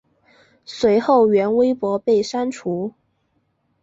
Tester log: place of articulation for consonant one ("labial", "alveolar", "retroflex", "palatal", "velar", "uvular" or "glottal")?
alveolar